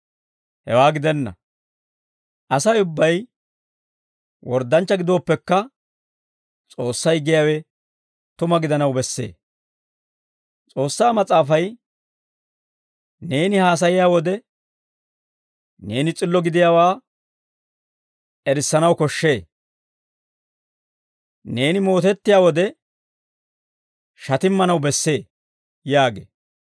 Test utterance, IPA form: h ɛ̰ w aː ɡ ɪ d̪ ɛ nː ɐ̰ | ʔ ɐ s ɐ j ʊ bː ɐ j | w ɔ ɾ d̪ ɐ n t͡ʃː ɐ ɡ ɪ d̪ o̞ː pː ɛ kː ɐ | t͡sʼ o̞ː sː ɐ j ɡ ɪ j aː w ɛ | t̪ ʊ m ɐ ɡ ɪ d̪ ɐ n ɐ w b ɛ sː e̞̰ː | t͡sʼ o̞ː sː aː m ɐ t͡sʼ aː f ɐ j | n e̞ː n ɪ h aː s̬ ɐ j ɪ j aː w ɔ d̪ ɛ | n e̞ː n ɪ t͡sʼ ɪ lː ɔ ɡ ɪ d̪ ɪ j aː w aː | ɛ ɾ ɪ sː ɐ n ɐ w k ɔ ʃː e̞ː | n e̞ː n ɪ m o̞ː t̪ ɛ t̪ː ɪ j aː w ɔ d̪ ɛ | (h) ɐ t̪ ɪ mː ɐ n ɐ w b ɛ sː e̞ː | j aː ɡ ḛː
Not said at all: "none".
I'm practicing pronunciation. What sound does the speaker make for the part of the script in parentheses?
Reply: ʃ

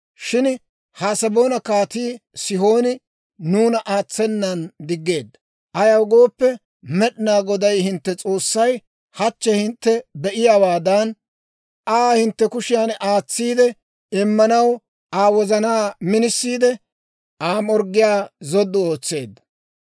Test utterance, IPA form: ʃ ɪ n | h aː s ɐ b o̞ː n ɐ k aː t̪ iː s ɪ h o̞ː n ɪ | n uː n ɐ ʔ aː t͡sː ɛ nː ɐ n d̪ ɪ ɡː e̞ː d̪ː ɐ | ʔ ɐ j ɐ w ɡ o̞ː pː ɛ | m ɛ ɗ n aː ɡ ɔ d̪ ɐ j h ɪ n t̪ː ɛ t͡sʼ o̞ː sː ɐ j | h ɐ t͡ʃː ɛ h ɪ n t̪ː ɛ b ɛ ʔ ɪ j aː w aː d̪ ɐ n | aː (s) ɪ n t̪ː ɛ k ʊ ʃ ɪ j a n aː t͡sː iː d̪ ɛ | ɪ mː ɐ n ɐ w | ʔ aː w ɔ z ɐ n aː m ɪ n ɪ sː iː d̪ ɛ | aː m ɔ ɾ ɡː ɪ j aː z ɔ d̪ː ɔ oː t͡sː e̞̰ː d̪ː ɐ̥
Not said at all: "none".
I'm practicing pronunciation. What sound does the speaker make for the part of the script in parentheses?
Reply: h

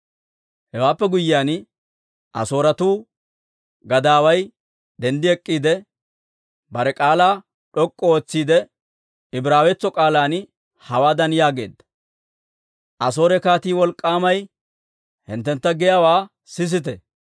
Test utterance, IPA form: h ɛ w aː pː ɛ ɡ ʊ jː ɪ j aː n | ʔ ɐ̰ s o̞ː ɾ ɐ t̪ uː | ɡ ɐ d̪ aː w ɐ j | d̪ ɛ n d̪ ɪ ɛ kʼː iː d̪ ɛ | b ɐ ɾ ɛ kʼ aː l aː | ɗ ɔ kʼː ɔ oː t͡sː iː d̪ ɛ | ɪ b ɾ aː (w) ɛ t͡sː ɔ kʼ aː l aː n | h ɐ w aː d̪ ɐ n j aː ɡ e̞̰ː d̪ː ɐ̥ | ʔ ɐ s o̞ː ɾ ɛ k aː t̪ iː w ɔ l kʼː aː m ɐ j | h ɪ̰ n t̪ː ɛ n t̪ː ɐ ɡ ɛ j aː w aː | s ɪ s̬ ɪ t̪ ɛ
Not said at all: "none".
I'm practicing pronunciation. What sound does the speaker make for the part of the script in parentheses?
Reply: w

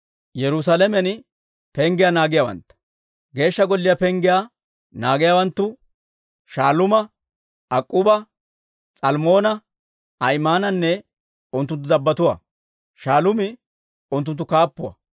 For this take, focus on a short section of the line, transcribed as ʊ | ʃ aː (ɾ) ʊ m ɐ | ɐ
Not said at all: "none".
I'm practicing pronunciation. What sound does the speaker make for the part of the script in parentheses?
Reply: l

